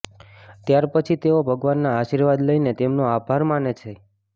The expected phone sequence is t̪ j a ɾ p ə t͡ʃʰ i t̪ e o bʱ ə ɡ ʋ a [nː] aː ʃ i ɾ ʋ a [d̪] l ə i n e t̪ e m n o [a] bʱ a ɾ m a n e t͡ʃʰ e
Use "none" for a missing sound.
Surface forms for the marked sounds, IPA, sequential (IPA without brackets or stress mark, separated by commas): nː, d̪, a